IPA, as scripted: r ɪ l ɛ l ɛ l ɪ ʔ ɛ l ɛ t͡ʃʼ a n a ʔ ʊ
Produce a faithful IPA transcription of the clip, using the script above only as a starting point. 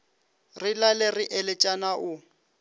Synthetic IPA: r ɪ l a l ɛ r ɪ ʔ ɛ l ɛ t͡ʃʼ a n a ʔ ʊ